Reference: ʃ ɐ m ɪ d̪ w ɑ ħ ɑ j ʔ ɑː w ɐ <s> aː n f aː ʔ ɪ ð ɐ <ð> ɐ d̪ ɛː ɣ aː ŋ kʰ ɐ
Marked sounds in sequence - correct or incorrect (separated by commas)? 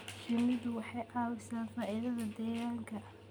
correct, correct